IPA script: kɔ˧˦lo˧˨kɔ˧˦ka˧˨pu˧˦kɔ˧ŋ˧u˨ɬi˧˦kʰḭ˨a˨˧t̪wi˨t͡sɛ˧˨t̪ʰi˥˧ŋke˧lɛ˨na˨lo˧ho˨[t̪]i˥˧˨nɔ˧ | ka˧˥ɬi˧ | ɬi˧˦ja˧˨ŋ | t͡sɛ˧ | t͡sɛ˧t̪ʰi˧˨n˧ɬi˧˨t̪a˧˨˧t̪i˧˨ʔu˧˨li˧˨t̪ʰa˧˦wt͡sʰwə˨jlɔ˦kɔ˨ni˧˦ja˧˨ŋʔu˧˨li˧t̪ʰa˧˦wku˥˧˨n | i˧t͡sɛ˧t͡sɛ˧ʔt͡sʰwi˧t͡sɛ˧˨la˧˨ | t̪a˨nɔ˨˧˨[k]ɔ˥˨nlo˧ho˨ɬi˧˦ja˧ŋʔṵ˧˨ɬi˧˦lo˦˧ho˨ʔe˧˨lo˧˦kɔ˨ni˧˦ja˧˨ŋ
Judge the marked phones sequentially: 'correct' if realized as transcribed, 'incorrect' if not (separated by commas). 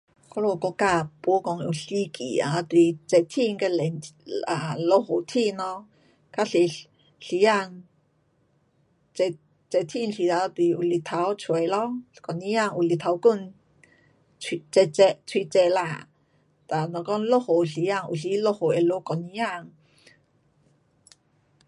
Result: incorrect, correct